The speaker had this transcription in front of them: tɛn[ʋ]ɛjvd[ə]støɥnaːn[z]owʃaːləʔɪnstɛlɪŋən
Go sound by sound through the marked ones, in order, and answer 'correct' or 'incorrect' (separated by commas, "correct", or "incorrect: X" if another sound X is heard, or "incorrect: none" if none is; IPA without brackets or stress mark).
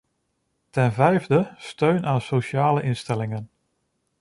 incorrect: v, correct, incorrect: s